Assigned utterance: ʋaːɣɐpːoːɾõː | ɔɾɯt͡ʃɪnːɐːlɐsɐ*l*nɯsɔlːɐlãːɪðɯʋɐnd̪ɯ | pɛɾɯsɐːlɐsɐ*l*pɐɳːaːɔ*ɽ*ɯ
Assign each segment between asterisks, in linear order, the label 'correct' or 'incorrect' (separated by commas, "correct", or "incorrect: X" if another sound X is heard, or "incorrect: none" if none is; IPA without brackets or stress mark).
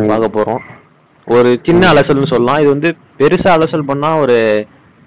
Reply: correct, correct, incorrect: ɾ